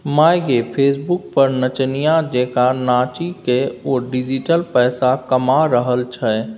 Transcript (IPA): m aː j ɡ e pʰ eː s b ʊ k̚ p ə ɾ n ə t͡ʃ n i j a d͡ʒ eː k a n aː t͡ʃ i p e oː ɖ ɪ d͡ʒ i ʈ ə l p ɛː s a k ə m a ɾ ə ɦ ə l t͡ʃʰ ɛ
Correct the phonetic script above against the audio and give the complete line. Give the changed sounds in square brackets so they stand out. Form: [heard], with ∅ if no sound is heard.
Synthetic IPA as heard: m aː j ɡ e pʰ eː s b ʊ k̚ p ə ɾ n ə t͡ʃ n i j a d͡ʒ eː k a n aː t͡ʃ i [k] e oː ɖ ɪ d͡ʒ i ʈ ə l p ɛː s a k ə m a ɾ ə ɦ ə l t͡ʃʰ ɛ